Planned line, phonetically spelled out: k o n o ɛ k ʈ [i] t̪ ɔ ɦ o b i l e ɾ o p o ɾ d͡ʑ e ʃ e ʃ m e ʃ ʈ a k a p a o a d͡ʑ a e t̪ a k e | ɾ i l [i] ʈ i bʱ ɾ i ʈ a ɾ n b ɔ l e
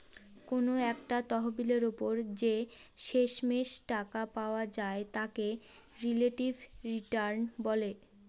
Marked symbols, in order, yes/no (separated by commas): no, no